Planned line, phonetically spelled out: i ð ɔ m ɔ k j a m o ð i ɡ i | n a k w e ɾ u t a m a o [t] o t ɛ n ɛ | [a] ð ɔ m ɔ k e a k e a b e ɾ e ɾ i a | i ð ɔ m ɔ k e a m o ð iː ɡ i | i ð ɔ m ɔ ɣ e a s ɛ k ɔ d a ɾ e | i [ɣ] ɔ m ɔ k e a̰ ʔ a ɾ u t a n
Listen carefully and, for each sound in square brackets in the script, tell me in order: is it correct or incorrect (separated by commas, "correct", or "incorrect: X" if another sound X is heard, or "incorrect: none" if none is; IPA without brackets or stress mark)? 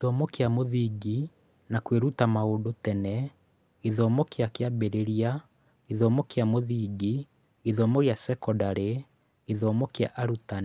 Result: incorrect: d, incorrect: i, incorrect: ð